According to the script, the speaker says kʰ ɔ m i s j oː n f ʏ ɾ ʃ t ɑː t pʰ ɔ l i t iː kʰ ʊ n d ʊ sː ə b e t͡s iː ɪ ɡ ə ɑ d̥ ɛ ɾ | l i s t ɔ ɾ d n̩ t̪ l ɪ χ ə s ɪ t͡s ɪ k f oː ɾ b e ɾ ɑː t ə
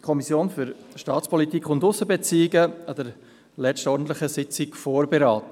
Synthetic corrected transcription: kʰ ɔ m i s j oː n f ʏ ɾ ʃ t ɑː t͡s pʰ ɔ l i t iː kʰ ʊ n d ʊ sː ə b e t͡s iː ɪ ɡ ə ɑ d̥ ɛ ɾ | l ɛ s t ɔ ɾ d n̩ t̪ l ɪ χ ə s ɪ t͡s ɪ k f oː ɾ b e ɾ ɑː t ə